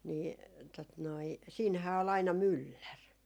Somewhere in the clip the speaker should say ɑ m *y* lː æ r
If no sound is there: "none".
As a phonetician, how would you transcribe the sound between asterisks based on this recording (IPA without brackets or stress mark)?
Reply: y